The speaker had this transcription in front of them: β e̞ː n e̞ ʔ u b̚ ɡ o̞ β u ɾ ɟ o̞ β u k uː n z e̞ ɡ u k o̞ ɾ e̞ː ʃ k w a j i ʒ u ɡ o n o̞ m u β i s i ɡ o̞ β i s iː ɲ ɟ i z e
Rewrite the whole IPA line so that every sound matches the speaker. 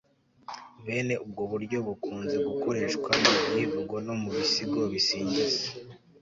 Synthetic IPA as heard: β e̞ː n e̞ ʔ u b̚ ɡ o̞ β u ɾ ɟ o̞ β u k uː n z e̞ ɡ u k o̞ ɾ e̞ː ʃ k w a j i v u ɡ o n o̞ m u β i s i ɡ o̞ β i s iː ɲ ɟ i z e

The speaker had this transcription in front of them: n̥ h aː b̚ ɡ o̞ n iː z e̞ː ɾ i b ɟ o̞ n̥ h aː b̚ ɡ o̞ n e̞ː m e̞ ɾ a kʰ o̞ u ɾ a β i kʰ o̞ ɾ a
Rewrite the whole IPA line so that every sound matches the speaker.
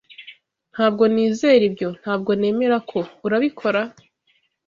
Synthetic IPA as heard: n̥ h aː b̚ ɡ o̞ n iː z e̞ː ɾ i b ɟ o̞ n̥ h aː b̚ ɡ o̞ n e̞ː m e̞ ɾ a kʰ o̞ u ɾ a β i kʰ o̞ ɾ a

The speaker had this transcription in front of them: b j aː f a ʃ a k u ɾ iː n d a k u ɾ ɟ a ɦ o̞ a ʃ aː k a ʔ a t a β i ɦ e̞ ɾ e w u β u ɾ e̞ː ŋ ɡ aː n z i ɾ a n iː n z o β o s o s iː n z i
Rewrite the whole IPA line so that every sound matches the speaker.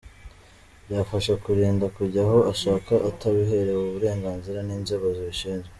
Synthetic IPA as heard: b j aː f a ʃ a k u ɾ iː n d a k u ɾ ɟ a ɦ o̞ a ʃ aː k a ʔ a t a β i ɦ e̞ ɾ e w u β u ɾ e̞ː ŋ ɡ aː n z i ɾ a n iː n z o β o z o ʃ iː n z e

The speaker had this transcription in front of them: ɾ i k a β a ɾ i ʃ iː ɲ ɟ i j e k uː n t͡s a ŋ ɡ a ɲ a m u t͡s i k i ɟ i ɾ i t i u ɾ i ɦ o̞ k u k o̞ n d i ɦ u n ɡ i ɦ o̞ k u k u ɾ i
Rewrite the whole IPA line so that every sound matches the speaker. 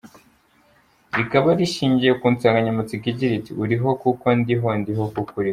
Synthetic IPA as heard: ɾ i k a β a ɾ i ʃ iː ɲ ɟ i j e k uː n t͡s a ŋ ɡ a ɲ a m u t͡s i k i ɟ i ɾ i t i u ɾ i ɦ o̞ k u k o̞ n d i ɦ o n d i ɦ o̞ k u k u ɾ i

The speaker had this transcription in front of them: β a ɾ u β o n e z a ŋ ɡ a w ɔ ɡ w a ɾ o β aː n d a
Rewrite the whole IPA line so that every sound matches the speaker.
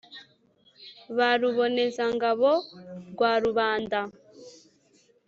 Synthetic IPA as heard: β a ɾ u β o n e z a ŋ ɡ a β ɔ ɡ w a ɾ u β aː n d a

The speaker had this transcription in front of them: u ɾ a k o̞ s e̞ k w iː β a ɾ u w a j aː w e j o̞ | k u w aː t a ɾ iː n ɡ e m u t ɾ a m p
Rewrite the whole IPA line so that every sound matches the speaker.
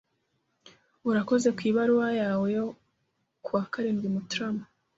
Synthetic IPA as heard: u ɾ a k o̞ z e̞ k w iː β a ɾ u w a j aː w e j o̞ | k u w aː k a ɾ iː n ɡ i m u t ɾ a m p

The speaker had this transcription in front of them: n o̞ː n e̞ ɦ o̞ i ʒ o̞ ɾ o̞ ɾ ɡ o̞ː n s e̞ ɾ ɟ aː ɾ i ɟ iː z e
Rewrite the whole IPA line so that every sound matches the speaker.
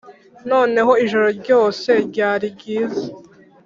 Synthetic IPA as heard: n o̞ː n e̞ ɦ o̞ i ʒ o̞ ɾ o̞ ɾ ɟ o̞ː s e̞ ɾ ɟ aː ɾ i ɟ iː z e

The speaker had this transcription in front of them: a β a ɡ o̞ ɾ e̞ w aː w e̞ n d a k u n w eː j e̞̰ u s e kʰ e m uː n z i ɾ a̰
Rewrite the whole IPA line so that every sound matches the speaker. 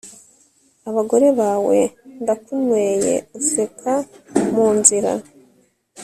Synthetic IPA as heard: a β a ɡ o̞ ɾ e̞ β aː w e̞ n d a k u n w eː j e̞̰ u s e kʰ a m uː n z i ɾ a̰

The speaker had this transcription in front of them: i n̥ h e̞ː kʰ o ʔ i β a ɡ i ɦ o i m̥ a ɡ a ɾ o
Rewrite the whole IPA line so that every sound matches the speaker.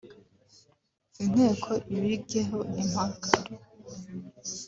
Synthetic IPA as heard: i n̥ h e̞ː kʰ o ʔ i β i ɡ e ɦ o i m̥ a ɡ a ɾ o

